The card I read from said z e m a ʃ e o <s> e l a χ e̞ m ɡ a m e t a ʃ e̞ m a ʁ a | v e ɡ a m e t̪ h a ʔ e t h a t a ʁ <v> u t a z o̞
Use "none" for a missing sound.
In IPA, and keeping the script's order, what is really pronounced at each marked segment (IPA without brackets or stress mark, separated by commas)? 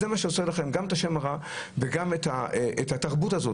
s, b